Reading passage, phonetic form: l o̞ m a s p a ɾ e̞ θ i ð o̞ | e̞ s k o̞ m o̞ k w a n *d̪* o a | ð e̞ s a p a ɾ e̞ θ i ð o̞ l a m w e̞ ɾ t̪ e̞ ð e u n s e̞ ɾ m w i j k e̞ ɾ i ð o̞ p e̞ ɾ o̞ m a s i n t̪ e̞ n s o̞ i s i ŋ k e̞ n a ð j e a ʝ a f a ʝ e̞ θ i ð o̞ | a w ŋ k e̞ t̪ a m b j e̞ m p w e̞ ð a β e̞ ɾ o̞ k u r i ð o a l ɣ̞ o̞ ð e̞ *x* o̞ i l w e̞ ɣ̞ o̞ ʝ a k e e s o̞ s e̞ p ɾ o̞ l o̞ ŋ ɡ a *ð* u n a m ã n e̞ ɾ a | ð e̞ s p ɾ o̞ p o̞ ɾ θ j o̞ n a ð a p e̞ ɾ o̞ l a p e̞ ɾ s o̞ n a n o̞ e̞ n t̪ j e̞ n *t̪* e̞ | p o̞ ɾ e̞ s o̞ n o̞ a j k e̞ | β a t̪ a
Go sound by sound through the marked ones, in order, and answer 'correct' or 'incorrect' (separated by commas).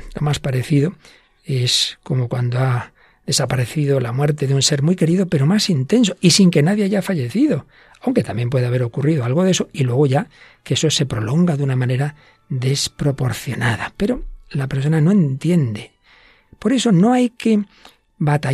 correct, incorrect, correct, incorrect